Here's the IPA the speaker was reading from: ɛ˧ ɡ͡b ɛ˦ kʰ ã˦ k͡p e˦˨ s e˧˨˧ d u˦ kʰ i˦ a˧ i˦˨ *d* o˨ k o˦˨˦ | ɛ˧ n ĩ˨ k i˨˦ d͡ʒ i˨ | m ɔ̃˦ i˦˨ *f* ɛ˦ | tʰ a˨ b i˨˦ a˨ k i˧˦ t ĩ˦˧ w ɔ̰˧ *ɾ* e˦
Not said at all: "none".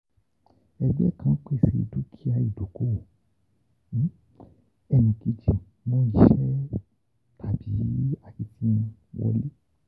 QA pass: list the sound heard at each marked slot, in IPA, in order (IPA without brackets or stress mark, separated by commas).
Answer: d, ʃ, l